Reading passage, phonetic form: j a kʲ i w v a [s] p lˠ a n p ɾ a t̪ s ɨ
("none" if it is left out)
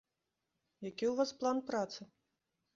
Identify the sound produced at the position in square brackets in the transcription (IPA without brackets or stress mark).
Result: s